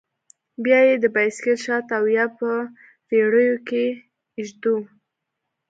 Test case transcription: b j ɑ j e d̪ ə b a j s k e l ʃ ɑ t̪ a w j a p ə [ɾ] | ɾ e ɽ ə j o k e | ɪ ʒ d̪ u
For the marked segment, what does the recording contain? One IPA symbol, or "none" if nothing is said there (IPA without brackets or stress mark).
none